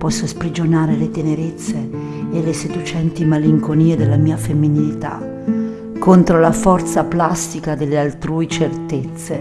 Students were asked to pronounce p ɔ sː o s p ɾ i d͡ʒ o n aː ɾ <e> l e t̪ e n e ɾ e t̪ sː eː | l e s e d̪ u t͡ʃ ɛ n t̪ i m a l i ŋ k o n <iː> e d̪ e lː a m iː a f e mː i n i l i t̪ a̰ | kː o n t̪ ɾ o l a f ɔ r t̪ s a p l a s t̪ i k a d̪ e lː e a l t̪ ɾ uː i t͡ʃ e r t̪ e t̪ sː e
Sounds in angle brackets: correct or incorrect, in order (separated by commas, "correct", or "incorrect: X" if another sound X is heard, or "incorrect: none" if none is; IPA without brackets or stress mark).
correct, correct